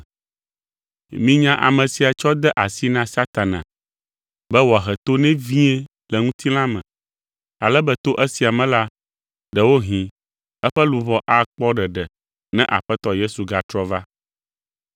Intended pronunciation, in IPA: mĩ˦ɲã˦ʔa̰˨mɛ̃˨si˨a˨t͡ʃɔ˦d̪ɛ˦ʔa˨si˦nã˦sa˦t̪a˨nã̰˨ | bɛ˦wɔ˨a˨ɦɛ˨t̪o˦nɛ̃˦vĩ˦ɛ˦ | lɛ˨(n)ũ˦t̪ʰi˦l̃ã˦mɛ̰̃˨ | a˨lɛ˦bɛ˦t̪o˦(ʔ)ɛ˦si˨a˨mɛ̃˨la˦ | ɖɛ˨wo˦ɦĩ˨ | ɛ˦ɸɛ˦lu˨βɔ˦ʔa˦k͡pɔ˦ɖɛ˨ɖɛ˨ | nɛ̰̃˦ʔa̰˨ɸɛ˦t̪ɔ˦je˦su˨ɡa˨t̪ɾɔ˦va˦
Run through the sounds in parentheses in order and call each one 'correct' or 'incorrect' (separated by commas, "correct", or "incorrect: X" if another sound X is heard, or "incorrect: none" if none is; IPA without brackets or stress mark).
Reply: incorrect: ŋ, correct